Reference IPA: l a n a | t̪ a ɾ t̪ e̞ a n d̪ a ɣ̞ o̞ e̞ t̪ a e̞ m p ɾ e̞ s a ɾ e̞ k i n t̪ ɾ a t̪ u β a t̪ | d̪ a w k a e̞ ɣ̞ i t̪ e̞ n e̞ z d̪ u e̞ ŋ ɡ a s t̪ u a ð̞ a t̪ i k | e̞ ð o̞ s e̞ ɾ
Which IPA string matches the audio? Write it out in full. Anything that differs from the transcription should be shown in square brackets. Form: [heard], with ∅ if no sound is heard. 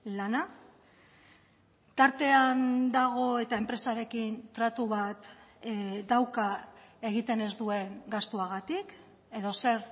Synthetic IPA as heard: l a n a | t̪ a ɾ t̪ e̞ a n d̪ a ɣ̞ o̞ e̞ t̪ a e̞ m p ɾ e̞ s a ɾ e̞ k i n t̪ ɾ a t̪ u β a t̪ | d̪ a w k a e̞ ɣ̞ i t̪ e̞ n e̞ z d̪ u e̞ ŋ ɡ a s t̪ u a [ɣ̞] a t̪ i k | e̞ ð o̞ s e̞ ɾ